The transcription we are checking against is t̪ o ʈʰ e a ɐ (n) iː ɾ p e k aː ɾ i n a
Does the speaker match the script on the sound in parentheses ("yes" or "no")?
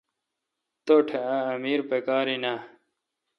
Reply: no